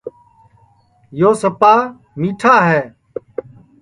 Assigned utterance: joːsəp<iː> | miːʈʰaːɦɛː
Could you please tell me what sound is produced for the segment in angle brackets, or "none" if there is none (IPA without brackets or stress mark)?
aː